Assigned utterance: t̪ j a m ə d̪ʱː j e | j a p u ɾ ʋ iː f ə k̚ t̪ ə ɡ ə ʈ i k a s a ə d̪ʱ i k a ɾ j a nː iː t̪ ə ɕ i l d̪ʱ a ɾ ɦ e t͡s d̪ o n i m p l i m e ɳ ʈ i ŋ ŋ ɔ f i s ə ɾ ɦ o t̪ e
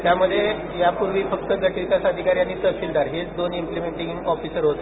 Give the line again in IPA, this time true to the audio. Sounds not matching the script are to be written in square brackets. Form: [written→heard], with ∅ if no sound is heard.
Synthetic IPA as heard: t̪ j a m ə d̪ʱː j e | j a p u ɾ ʋ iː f ə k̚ t̪ ə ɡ ə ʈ i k a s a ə d̪ʱ i k a ɾ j a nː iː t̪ ə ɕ i l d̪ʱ a ɾ ɦ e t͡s d̪ o n i m p l i m e ɳ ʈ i ŋ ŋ ɔ f i s ə ɾ ɦ o t̪ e